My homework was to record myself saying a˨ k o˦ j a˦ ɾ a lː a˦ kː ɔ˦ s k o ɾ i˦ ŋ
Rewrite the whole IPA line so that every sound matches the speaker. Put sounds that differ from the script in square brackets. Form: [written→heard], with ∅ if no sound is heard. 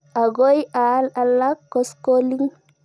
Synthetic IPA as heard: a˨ [k→ɡ] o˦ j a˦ [ɾ→l] a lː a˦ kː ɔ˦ s k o [ɾ→l] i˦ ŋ